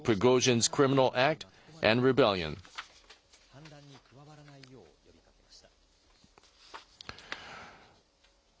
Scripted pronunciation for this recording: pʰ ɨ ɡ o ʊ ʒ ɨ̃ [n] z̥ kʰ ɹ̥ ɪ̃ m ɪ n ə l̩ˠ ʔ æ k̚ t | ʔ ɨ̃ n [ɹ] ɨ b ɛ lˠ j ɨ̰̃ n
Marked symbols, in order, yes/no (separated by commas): yes, yes